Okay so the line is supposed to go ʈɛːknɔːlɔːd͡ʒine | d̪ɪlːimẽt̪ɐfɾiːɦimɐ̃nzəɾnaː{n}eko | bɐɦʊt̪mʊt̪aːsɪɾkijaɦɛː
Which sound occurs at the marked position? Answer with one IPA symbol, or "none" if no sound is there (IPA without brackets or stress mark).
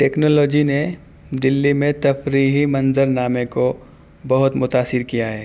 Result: m